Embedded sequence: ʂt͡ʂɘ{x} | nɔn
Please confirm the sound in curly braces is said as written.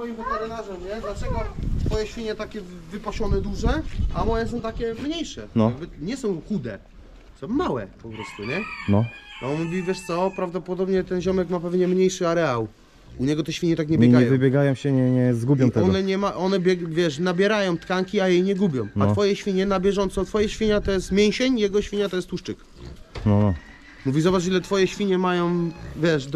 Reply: no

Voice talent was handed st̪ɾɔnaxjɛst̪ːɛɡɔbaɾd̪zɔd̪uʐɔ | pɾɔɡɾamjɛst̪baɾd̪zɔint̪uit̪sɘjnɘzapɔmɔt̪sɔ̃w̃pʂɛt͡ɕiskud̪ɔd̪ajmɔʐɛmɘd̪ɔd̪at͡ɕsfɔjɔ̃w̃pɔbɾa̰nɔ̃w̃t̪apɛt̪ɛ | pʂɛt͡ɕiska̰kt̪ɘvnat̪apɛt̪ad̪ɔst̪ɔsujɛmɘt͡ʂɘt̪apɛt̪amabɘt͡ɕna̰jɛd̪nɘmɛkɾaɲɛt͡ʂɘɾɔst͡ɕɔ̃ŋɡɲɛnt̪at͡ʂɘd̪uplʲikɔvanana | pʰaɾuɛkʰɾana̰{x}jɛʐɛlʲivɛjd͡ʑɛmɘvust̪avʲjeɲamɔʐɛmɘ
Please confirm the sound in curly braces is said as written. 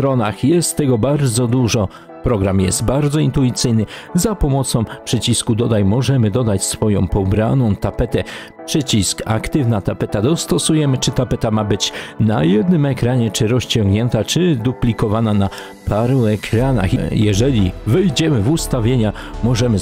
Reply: yes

